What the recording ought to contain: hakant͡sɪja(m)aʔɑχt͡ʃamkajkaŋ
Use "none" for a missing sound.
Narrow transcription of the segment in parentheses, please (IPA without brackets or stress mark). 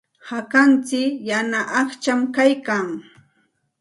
n